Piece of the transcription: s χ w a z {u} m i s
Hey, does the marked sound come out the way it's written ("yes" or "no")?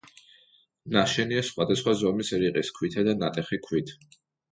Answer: no